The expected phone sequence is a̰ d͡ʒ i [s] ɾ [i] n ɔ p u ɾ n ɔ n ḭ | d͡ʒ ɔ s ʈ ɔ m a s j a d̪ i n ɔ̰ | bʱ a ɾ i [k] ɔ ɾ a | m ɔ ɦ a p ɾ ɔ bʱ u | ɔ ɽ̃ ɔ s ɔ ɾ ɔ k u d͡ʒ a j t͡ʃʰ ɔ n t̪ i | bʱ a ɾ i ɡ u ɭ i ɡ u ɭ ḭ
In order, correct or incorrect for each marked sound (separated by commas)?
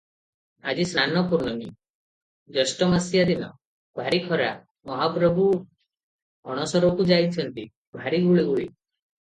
correct, incorrect, incorrect